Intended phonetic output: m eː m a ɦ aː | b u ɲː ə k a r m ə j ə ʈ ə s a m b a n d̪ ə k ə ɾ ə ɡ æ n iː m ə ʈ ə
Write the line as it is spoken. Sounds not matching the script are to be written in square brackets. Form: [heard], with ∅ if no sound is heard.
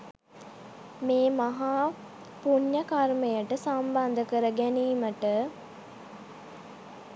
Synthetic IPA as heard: m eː m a ɦ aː | [p] u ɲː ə k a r m ə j ə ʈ ə s a m b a n d̪ ə k ə ɾ ə ɡ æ n iː m ə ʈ ə